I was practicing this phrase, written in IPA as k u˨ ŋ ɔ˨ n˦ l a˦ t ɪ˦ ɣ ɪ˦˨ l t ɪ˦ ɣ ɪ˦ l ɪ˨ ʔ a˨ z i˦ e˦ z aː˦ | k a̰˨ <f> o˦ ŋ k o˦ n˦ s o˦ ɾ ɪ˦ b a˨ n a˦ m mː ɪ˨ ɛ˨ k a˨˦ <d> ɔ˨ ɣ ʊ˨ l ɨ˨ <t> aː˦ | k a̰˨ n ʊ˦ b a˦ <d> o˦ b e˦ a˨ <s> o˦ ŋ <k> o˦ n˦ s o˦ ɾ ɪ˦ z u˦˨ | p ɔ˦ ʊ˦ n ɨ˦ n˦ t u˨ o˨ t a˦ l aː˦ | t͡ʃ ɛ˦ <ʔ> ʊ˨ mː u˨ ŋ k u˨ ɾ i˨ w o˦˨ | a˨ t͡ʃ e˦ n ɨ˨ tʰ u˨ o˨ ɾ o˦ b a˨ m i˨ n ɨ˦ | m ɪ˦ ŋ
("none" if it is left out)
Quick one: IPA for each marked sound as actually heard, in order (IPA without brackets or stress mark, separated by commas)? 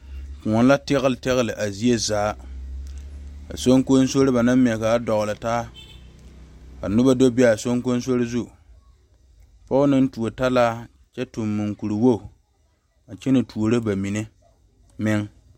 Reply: s, d, t, d, s, k, t